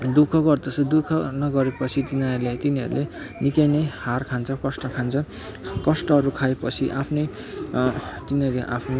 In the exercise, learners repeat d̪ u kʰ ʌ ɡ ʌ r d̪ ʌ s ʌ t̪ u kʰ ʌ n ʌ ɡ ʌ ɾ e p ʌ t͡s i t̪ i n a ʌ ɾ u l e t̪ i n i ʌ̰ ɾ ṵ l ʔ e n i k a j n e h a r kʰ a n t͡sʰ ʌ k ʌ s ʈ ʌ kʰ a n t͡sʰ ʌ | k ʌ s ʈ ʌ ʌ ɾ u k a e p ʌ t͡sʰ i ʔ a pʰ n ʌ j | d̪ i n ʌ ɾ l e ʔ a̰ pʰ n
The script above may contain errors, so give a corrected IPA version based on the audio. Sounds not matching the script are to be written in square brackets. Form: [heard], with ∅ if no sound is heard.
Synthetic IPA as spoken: d̪ u kʰ ʌ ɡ ʌ r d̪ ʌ s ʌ [d̪] u kʰ ʌ n ʌ ɡ ʌ ɾ e p ʌ [t͡sʰ] i t̪ i n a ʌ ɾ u l e t̪ i n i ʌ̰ ɾ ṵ l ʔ e n i k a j n e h a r kʰ a n t͡sʰ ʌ k ʌ s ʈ ʌ kʰ a n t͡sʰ ʌ | k ʌ s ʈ ʌ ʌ ɾ u [kʰ] a e p ʌ t͡sʰ i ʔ a pʰ n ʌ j | [t̪] i n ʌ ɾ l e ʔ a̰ pʰ n